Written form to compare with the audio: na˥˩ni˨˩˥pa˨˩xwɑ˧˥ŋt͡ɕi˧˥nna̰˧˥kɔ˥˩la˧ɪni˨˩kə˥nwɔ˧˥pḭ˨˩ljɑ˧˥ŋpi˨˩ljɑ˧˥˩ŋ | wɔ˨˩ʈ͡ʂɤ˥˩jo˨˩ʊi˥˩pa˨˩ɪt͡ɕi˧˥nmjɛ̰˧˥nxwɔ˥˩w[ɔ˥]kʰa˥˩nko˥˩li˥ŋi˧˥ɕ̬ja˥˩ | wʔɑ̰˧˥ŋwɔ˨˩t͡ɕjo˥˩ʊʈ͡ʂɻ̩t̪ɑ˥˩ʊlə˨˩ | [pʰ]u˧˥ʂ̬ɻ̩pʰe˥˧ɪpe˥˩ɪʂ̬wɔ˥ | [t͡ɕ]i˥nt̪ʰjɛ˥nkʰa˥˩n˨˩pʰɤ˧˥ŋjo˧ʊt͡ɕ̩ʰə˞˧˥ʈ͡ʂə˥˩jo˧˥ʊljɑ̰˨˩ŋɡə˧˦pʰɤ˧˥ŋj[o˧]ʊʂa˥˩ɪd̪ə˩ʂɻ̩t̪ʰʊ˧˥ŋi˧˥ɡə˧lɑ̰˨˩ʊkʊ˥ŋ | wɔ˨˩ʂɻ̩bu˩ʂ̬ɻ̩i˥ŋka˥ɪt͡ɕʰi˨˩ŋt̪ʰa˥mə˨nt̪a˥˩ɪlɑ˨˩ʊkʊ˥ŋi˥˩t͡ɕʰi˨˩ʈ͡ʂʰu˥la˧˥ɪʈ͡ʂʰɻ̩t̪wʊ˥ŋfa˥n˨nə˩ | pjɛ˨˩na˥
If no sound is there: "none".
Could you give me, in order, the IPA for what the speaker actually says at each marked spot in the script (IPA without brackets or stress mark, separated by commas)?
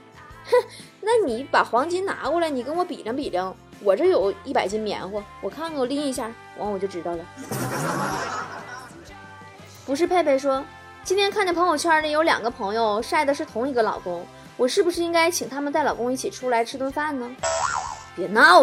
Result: ɔ˨˩, p, t͡ɕ, o˧